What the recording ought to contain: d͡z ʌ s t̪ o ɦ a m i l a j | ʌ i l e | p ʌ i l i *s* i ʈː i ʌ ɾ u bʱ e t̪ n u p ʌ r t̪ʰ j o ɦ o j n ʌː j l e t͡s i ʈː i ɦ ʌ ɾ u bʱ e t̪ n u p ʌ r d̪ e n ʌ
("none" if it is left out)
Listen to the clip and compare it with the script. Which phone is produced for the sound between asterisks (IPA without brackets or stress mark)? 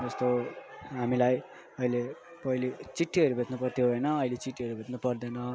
t͡s